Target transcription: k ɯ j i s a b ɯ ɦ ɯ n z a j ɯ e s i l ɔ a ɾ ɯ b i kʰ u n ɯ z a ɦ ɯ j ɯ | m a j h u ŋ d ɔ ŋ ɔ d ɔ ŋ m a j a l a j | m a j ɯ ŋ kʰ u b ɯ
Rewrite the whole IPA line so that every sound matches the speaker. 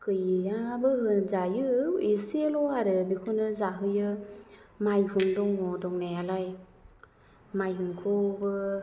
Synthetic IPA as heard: k ɯ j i a b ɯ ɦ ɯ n z a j ɯ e s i l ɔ a ɾ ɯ b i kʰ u n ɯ z a ɦ ɯ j ɯ | m a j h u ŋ d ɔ ŋ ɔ d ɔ ŋ n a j a l a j | m a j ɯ ŋ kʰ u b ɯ